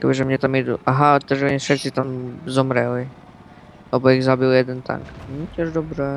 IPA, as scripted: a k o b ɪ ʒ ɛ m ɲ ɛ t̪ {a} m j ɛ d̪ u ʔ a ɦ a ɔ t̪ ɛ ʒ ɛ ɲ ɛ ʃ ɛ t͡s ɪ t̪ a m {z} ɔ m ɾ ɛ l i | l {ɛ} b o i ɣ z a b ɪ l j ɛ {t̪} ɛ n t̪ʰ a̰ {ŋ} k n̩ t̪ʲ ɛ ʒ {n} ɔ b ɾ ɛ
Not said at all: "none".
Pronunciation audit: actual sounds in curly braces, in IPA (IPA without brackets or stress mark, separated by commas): a, z, ɛ, d̪, ŋ, d